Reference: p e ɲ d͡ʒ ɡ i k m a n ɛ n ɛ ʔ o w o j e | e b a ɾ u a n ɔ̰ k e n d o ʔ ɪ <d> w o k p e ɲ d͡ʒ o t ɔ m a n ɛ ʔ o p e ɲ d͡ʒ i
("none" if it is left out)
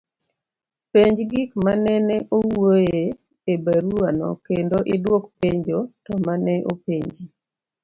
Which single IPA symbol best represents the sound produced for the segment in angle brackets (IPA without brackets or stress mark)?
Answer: d